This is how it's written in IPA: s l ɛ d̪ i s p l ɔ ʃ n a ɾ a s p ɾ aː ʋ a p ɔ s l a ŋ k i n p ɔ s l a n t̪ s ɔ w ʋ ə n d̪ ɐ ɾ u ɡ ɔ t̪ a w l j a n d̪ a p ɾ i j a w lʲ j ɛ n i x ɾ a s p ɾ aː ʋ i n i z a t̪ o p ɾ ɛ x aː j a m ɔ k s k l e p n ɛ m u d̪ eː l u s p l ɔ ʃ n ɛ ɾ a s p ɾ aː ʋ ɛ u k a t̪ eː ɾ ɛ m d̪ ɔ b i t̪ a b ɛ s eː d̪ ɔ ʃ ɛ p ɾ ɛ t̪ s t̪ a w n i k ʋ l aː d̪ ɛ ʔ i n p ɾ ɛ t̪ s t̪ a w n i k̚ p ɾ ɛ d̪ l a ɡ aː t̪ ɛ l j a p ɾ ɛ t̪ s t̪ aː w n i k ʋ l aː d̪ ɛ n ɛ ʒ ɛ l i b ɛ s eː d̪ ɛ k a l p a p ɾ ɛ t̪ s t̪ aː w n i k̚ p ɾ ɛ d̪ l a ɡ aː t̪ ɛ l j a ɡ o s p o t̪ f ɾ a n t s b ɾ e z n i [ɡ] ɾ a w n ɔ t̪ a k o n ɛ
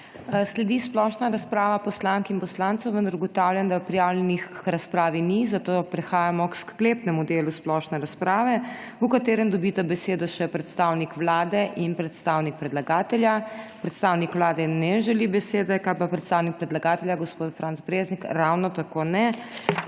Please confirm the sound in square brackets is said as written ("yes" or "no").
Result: no